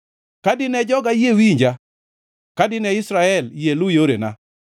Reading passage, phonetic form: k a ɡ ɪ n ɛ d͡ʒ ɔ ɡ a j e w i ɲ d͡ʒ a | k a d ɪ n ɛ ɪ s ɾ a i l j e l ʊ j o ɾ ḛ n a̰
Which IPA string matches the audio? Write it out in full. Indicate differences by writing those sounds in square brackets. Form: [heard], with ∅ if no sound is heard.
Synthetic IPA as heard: k a [d] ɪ n ɛ d͡ʒ ɔ ɡ a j e w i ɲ d͡ʒ a | k a d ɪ n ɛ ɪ s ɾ a [ɛ] l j e l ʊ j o ɾ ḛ n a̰